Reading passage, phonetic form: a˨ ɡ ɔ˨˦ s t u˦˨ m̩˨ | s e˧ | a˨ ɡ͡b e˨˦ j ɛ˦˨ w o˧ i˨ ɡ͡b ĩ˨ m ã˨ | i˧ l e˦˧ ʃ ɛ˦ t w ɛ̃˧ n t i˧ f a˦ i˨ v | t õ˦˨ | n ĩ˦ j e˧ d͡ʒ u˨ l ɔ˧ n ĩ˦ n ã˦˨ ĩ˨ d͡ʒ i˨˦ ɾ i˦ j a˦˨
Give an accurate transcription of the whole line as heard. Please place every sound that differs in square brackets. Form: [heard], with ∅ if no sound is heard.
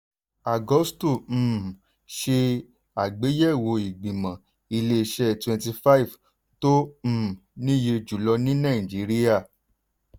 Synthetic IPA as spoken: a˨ ɡ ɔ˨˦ s t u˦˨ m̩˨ | [ʃ] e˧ | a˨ ɡ͡b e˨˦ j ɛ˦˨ w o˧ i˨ ɡ͡b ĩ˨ m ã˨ | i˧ l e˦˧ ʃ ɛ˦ t w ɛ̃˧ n t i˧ f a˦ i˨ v | t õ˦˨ | n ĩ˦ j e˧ d͡ʒ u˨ l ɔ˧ n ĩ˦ n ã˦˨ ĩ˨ d͡ʒ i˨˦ ɾ i˦ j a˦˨